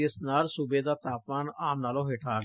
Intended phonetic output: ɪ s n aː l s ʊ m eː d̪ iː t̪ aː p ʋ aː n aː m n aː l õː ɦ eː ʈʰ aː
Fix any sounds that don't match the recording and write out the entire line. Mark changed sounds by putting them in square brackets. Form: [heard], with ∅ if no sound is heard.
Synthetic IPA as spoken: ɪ s n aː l s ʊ [b] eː d̪ [aː] t̪ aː p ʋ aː n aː m n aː l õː ɦ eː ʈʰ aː